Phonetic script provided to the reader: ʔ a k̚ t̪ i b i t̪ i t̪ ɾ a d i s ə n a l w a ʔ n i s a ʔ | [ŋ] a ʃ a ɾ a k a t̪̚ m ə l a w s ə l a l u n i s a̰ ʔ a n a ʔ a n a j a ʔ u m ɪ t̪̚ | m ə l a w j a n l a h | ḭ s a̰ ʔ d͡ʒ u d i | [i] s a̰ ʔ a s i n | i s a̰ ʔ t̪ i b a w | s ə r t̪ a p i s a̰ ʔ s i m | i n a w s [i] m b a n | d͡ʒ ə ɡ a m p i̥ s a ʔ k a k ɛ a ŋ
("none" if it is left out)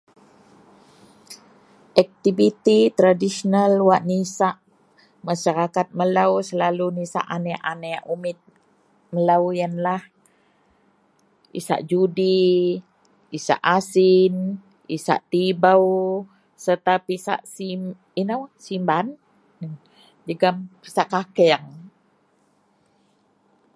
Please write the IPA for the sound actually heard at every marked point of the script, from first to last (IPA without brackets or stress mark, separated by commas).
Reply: m, i, i